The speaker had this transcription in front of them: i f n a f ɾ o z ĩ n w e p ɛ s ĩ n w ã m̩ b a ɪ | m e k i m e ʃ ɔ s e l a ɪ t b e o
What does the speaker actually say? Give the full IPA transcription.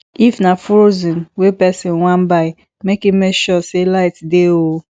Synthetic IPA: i f n a f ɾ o z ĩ n w e p ɛ s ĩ n w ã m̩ b a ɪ | m e k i m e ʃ ɔ s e l a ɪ t d e o